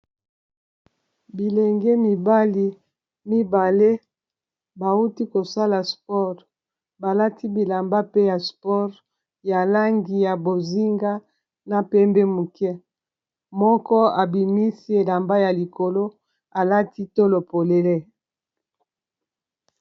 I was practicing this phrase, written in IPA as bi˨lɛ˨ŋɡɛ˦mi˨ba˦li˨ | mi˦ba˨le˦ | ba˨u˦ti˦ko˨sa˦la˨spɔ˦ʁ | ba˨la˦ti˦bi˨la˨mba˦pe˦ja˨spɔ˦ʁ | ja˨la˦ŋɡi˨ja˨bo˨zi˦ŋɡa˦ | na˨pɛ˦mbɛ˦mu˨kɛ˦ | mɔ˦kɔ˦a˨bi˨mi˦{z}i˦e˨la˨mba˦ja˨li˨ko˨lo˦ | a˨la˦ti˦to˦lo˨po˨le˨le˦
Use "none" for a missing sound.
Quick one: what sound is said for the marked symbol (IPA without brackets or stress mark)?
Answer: s